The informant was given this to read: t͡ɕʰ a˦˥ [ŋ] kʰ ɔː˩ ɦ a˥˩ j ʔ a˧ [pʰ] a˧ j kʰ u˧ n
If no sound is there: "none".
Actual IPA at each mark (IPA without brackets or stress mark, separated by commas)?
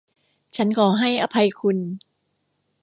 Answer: n, pʰ